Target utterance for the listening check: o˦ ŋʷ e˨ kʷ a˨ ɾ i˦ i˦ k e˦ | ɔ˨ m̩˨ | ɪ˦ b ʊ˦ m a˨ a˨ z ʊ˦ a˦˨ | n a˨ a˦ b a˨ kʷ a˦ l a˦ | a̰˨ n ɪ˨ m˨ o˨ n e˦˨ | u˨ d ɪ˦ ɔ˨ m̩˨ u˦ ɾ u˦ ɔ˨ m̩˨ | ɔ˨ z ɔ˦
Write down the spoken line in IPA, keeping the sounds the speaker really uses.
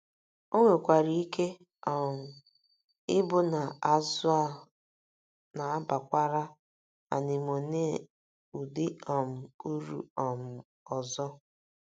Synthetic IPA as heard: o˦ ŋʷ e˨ kʷ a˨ ɾ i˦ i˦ k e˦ | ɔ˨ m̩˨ | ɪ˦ b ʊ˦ n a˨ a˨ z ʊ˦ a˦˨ | n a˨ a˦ b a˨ kʷ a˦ ɾ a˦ | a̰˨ n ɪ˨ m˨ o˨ n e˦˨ | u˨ d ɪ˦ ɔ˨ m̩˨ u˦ ɾ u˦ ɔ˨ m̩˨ | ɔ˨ z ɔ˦